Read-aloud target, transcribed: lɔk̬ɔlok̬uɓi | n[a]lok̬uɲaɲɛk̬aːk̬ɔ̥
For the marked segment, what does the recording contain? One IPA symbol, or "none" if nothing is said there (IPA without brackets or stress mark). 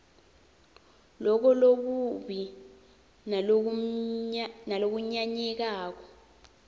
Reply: a